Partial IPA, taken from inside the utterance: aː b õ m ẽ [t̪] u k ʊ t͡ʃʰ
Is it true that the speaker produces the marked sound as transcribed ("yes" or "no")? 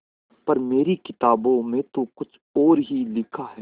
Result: yes